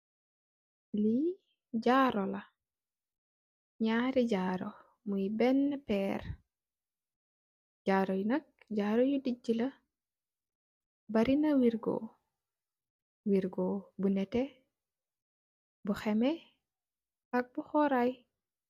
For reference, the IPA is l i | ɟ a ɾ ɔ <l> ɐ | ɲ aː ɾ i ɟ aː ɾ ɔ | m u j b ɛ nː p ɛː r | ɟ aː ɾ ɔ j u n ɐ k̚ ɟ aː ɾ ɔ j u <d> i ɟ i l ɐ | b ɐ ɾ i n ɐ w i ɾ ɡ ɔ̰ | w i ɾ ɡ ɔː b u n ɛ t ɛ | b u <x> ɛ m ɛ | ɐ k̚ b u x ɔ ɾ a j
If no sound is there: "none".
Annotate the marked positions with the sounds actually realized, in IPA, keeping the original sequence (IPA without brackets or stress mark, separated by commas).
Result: l, d, x